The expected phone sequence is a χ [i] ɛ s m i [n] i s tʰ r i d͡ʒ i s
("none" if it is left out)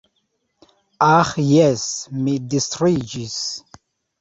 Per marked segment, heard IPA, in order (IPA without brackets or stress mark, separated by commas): j, d